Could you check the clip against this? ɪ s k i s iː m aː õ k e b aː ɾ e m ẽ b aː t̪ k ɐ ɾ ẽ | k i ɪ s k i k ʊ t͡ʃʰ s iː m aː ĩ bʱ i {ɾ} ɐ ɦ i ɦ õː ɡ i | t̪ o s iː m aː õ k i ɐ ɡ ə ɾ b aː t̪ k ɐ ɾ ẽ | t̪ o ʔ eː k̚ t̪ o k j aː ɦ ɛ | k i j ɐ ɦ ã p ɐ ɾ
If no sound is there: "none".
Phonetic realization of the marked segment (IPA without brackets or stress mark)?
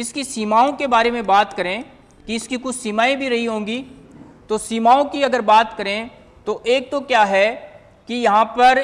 ɾ